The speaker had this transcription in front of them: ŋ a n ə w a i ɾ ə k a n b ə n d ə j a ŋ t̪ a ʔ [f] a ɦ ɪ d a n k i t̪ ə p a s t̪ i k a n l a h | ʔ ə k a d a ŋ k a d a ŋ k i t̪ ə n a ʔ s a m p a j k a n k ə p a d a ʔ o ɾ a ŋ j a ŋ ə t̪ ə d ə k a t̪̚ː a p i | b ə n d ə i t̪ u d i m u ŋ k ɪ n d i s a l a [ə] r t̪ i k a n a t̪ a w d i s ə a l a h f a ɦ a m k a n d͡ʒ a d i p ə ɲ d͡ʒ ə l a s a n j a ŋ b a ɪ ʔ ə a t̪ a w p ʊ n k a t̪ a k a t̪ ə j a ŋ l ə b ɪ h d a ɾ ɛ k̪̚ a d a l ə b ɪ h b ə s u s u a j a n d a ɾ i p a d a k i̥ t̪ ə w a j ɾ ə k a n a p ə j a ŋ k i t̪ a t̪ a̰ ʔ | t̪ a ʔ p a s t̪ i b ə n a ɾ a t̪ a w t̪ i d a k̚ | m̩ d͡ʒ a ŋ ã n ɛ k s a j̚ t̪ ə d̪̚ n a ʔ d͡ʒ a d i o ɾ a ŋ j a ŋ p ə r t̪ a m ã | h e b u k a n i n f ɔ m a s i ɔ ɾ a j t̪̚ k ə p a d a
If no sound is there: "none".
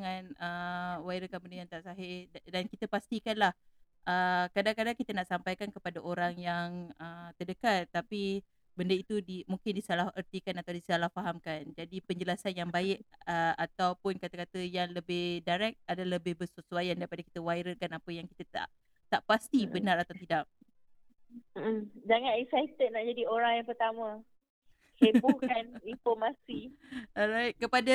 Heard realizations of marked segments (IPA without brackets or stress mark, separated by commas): s, ə